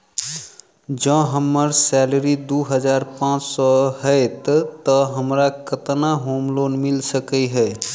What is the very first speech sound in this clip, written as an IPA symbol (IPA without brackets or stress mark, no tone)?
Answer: d͡ʒ